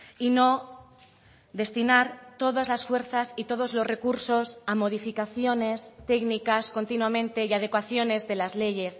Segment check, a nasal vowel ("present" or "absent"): present